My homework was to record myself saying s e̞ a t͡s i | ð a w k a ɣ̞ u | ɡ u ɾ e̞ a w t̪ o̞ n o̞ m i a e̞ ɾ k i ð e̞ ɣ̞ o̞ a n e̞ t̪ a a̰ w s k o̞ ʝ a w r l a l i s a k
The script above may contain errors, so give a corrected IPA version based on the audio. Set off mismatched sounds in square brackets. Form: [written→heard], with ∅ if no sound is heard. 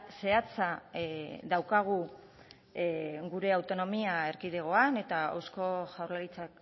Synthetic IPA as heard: s e̞ a t͡s [i→a] | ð a w k a ɣ̞ u | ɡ u ɾ e̞ a w t̪ o̞ n o̞ m i a e̞ ɾ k i ð e̞ ɣ̞ o̞ a n e̞ t̪ a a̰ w s k o̞ ʝ a w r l a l i [s→t͡s] a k